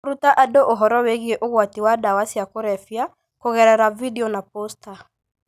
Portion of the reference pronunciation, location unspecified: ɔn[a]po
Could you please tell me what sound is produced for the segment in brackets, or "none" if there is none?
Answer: a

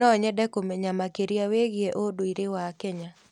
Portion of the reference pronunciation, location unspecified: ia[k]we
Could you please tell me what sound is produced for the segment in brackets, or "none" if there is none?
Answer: none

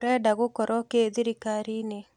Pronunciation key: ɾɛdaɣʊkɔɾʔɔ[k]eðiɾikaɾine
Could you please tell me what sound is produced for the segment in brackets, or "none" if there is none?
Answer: k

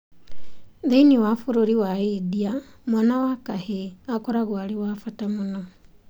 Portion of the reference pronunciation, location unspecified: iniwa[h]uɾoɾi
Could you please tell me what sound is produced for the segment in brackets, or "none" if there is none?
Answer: f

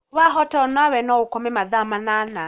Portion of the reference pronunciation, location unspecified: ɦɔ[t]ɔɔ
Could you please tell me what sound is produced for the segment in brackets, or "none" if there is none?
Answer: t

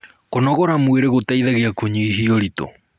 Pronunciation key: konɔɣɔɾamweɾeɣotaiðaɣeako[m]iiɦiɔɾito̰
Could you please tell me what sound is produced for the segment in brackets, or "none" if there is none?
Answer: ɲ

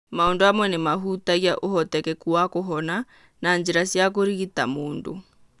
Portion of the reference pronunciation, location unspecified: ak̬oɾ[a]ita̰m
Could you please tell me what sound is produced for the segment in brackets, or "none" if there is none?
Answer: i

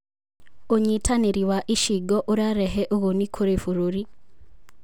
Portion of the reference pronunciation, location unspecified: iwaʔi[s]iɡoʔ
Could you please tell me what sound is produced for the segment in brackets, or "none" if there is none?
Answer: ʃ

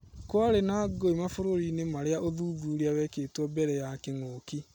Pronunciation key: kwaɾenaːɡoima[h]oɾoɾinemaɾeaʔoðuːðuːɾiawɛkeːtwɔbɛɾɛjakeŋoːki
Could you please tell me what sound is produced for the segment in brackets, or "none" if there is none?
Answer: f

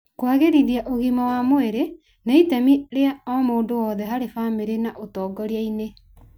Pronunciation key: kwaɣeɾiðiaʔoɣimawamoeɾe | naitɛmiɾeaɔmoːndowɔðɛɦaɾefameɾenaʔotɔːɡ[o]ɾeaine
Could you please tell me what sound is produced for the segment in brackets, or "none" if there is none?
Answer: ɔ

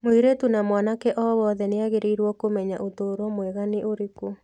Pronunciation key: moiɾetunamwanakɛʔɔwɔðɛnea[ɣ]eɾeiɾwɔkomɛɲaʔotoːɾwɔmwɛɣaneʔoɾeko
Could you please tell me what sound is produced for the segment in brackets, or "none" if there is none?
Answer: ɣ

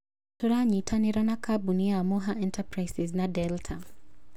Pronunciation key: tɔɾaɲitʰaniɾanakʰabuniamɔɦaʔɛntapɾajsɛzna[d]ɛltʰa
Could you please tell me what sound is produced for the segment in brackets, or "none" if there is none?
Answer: d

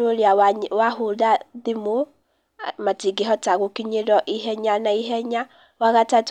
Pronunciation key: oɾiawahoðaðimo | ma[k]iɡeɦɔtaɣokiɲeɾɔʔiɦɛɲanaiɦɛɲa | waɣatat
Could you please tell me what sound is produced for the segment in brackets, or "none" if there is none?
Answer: t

